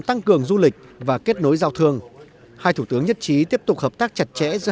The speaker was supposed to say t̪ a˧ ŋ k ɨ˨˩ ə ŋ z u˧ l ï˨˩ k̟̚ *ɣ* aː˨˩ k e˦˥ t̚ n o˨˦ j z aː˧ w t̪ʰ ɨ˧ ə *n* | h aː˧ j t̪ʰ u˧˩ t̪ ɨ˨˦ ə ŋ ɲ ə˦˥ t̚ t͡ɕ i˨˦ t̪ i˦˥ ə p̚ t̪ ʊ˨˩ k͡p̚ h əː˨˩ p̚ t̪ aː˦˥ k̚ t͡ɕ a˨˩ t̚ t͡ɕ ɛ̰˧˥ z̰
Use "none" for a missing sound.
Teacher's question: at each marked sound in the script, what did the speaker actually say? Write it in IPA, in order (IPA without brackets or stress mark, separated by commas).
v, ŋ